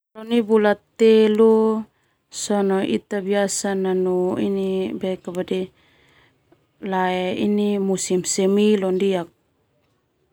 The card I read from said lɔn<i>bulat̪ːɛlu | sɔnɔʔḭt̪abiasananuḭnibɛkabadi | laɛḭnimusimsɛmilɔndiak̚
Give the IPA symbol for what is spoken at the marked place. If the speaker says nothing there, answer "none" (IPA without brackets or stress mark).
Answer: i